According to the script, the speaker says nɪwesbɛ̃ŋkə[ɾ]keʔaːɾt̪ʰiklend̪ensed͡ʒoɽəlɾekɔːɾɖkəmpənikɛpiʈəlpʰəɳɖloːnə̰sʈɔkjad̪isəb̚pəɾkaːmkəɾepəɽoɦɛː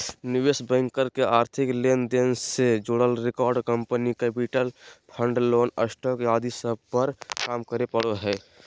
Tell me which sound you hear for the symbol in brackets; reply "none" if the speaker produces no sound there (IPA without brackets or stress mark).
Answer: ɾ